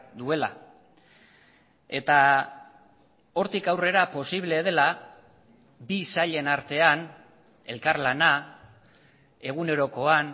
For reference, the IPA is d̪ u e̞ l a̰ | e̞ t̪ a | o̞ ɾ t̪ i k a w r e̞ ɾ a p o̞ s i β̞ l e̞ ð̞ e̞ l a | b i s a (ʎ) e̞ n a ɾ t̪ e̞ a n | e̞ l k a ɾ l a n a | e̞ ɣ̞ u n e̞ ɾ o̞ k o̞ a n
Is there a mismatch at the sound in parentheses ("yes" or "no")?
no